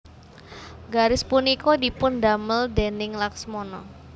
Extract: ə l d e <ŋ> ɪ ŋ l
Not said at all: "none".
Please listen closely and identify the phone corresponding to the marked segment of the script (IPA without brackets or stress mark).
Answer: n